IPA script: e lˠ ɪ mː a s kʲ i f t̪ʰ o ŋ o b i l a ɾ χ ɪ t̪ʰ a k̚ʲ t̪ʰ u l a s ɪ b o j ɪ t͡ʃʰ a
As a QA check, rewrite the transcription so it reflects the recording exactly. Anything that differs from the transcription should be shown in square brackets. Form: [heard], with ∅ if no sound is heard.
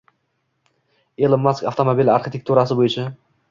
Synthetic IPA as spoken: e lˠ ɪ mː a s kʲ [a] f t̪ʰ o [m] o b i l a ɾ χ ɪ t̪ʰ [e] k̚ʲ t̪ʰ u [ɾ] a s ɪ b o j ɪ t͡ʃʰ a